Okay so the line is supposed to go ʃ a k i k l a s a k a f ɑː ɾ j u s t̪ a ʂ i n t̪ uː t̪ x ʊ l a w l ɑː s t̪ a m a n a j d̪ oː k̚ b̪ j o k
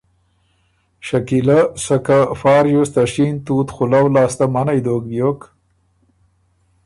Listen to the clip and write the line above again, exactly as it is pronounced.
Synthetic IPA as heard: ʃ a k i l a s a k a f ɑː ɾ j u s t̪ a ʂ i n t̪ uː t̪ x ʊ l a w l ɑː s t̪ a m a n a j d̪ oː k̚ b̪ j o k